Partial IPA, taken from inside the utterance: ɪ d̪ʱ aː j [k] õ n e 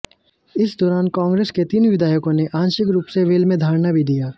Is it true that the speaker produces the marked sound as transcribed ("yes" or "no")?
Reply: yes